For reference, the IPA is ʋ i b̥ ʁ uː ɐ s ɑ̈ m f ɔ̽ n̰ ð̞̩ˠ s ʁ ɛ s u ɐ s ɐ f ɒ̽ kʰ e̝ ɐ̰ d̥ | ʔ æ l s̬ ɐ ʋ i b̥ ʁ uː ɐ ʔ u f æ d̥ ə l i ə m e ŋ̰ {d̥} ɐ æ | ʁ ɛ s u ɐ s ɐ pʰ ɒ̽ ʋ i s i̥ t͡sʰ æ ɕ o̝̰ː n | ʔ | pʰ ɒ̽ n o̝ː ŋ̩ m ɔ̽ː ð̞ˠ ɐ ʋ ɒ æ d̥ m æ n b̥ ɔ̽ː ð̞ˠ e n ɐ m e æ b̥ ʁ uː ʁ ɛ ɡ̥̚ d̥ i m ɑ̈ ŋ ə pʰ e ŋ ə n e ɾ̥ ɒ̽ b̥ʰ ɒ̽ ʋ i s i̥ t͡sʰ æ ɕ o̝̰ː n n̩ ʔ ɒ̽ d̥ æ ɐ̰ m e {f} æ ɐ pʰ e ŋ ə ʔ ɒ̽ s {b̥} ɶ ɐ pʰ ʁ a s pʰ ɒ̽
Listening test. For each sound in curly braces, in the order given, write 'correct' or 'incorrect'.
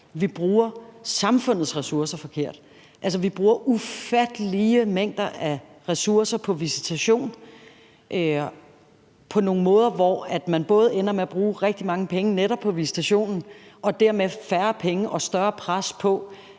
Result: correct, correct, incorrect: d̥

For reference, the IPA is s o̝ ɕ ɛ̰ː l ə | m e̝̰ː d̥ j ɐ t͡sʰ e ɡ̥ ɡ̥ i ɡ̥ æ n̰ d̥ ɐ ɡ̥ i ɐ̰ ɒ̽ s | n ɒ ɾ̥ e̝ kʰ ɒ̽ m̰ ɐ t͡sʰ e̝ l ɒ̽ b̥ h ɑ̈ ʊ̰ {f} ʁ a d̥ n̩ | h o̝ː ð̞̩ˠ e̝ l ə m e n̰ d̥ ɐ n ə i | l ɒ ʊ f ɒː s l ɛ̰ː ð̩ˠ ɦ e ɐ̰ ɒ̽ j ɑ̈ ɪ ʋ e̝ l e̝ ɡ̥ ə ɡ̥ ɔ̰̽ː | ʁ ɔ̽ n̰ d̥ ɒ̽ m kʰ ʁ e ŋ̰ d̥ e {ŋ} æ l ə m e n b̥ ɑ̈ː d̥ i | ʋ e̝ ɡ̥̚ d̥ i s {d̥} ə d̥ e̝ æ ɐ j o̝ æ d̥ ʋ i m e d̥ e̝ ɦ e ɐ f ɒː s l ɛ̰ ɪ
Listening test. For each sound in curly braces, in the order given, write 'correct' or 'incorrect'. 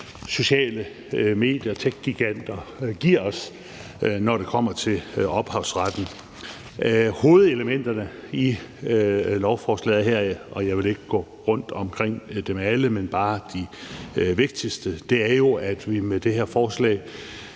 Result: incorrect: s, incorrect: m, correct

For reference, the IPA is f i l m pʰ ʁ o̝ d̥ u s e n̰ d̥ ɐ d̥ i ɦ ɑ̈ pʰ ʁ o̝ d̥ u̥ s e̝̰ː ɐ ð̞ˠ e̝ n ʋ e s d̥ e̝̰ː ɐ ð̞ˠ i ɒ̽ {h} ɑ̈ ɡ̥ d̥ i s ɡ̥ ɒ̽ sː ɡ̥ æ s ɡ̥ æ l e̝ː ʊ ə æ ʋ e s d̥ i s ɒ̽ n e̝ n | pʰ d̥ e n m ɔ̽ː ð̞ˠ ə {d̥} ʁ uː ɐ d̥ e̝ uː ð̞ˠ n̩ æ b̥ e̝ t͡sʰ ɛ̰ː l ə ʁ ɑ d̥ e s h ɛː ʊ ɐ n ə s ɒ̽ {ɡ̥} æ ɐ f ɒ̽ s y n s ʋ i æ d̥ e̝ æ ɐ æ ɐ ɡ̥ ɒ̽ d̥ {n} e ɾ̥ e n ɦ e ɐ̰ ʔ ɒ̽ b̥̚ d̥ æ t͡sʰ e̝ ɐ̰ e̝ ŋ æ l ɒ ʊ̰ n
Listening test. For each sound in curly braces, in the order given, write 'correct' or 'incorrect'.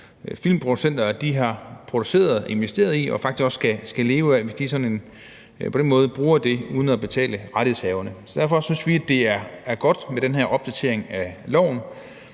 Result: incorrect: f, incorrect: b̥, incorrect: d̥, incorrect: m

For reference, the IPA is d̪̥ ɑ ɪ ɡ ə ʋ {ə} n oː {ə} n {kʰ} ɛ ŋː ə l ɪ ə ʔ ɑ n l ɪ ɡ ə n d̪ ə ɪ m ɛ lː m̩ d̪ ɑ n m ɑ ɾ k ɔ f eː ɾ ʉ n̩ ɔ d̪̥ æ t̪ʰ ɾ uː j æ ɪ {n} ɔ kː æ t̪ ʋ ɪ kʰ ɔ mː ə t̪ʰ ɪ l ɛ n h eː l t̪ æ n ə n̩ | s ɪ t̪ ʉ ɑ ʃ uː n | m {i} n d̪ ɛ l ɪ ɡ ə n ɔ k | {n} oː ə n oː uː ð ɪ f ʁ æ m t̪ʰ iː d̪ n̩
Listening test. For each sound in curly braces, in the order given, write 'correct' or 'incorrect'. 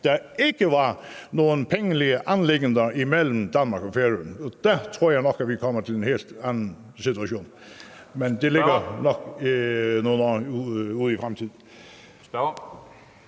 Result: incorrect: ɑ, correct, incorrect: pʰ, correct, incorrect: ɛ, correct

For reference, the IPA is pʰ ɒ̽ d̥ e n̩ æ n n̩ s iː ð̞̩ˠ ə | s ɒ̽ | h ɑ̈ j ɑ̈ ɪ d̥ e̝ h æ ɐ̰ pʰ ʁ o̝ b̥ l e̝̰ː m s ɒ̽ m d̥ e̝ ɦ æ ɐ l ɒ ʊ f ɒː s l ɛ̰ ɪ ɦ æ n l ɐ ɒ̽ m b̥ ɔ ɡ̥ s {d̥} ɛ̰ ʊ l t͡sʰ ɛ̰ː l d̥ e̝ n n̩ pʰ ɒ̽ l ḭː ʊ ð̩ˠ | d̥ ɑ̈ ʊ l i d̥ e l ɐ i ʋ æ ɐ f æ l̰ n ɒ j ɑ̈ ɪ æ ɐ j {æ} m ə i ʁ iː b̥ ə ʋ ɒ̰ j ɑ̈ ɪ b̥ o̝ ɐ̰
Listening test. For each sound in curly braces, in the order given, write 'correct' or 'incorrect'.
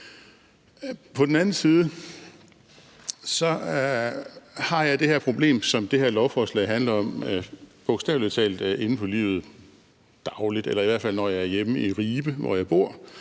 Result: correct, incorrect: e

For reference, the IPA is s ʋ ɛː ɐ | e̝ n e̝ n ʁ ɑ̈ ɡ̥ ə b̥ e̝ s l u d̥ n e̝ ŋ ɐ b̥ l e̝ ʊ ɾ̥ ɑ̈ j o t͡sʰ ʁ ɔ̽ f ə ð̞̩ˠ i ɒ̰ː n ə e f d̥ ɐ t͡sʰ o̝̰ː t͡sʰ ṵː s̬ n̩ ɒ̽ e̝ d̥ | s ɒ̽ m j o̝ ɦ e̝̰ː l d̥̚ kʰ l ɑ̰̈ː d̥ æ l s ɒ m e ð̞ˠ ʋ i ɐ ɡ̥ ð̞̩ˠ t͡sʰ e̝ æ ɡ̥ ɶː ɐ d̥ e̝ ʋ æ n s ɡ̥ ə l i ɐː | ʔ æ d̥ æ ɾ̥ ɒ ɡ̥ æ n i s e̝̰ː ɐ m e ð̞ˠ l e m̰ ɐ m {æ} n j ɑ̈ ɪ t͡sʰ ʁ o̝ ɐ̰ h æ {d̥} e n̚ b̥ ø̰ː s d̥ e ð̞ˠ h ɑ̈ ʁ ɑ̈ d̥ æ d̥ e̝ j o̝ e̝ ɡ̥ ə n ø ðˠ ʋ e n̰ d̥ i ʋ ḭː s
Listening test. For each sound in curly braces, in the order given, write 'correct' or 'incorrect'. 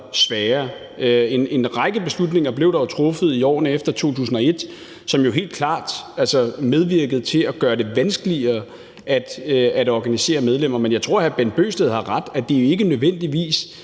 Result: incorrect: e, incorrect: b̥

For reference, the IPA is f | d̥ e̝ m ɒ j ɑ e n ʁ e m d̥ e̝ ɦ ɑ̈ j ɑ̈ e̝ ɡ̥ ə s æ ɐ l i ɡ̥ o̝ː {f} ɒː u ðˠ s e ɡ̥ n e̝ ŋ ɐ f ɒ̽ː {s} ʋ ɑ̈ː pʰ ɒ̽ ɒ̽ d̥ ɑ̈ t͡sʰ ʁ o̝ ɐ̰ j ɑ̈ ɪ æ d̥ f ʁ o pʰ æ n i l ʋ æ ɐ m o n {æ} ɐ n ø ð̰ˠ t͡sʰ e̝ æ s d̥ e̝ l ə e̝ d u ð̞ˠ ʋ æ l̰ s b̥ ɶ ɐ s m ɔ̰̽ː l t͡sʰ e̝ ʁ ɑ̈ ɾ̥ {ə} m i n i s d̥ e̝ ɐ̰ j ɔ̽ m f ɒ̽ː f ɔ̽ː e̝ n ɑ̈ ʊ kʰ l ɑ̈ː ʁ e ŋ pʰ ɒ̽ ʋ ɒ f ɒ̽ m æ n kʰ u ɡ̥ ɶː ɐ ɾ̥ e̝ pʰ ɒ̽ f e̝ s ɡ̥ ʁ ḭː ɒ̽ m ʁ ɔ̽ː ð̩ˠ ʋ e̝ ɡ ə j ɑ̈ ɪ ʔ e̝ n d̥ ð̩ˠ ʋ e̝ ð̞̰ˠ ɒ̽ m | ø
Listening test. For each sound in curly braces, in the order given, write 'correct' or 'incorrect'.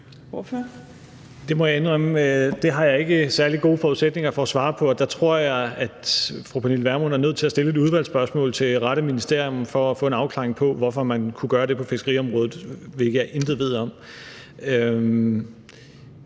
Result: correct, correct, correct, correct

